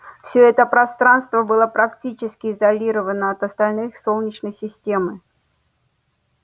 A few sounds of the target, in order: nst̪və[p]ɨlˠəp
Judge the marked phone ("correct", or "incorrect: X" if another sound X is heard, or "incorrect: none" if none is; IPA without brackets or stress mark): incorrect: b